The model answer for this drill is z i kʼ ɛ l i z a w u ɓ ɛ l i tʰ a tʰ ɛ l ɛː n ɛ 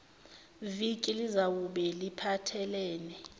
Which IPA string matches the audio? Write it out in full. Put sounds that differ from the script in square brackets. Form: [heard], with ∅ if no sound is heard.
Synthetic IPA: [v] i kʼ [i] l i z a w u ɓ ɛ l i [pʰ] a tʰ ɛ l ɛː n ɛ